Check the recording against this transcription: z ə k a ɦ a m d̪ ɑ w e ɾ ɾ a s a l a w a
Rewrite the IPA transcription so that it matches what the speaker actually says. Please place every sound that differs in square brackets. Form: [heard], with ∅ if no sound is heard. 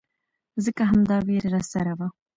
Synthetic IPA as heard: z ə k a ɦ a m d̪ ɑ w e ɾ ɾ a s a [ɾ] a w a